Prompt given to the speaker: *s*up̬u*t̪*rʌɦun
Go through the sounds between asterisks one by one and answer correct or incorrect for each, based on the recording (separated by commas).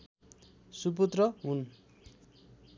correct, correct